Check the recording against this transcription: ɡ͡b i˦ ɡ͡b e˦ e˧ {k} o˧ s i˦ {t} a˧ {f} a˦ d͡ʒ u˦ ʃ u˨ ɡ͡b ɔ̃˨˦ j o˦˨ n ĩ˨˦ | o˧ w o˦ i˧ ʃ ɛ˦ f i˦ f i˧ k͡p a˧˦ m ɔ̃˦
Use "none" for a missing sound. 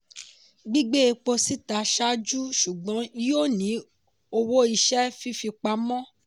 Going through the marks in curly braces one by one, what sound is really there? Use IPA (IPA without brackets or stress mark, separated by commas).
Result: k͡p, t, ʃ